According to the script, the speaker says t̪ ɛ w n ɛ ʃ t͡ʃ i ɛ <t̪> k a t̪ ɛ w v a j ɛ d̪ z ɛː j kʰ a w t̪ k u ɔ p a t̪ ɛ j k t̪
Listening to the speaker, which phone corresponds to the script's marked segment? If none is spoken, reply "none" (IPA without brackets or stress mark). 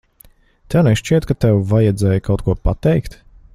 t̪